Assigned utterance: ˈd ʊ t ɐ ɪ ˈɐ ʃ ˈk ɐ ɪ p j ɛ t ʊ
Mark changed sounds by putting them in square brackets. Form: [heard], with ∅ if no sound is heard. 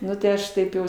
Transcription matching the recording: [ˈn] ʊ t ɐ ɪ ˈɐ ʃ [ˈt] ɐ ɪ p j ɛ [∅] ʊ